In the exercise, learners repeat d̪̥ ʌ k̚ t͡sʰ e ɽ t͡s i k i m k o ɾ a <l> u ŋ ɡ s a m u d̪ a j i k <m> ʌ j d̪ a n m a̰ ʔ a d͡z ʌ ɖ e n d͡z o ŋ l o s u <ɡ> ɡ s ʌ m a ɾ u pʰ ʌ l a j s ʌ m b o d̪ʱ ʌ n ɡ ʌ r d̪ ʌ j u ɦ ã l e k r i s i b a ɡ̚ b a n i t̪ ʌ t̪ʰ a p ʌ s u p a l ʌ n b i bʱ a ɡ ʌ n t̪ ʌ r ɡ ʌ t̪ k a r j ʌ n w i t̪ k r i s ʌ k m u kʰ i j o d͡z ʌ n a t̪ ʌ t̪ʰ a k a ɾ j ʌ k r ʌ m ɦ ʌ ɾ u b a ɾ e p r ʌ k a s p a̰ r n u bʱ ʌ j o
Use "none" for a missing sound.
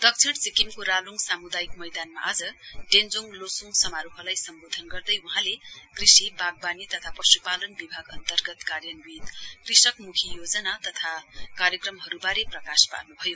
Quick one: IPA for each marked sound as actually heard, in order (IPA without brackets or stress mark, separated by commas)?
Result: l, m, ŋ